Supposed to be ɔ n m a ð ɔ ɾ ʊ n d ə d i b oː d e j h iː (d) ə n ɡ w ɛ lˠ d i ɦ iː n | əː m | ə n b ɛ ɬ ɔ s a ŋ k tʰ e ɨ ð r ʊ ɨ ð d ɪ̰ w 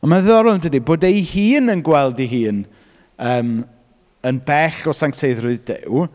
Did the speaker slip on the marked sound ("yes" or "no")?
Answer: yes